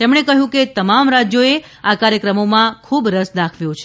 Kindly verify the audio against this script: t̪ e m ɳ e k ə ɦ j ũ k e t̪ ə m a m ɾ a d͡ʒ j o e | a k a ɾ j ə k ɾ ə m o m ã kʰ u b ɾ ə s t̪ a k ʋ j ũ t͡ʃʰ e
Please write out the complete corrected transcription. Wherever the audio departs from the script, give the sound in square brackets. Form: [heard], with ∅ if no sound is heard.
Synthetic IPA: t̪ e m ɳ e k ə ɦ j ũ k e t̪ ə m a m ɾ a d͡ʒ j o e | a k a ɾ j ə k ɾ ə m o m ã kʰ u b ɾ ə s [d̪] a [kʰ] ʋ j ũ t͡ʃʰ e